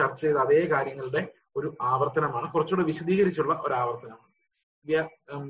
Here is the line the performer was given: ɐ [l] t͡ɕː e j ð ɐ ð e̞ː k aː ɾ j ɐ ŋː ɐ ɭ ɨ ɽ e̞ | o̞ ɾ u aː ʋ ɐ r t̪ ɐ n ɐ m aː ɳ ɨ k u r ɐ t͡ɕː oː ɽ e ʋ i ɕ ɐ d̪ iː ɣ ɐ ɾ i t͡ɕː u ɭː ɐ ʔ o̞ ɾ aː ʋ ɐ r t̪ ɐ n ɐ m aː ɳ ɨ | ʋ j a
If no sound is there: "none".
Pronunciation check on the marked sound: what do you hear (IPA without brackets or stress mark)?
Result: r